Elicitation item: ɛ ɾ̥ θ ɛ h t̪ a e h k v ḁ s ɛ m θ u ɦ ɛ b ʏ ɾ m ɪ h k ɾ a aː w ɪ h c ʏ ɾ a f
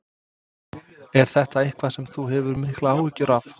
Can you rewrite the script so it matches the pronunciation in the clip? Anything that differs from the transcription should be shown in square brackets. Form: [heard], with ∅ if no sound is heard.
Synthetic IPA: ɛ ɾ̥ θ ɛ h t̪ a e h k v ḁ s ɛ m θ u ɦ ɛ [v] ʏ ɾ m ɪ h k [l] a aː w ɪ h c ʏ ɾ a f